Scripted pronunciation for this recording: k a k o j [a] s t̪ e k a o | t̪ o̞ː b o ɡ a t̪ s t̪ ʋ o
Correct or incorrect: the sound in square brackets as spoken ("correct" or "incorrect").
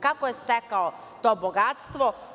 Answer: incorrect